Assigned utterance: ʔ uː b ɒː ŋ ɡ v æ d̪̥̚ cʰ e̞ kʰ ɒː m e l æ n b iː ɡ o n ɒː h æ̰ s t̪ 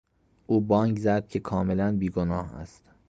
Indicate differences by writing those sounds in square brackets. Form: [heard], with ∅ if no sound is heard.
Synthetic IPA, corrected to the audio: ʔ uː b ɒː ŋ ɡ [z] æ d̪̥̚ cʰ e̞ kʰ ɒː m e l æ n b iː ɡ o n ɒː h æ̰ s t̪